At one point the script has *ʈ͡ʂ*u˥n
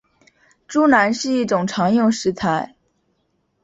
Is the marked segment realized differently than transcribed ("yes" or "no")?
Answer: no